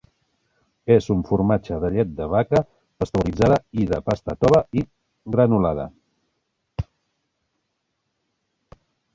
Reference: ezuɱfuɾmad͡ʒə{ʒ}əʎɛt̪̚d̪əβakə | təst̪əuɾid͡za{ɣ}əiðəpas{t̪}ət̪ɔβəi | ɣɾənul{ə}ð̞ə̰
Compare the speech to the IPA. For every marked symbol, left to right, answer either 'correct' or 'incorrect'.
incorrect, incorrect, correct, incorrect

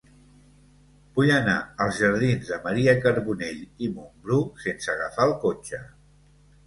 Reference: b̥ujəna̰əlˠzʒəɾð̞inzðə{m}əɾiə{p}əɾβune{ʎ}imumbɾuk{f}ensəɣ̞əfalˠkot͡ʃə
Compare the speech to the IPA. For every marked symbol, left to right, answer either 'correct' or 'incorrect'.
correct, incorrect, correct, incorrect

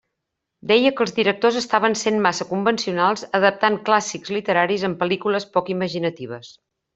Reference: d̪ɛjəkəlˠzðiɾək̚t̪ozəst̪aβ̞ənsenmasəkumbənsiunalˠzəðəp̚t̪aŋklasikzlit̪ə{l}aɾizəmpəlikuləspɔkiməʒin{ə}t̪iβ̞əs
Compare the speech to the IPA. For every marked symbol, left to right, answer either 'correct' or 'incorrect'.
incorrect, correct

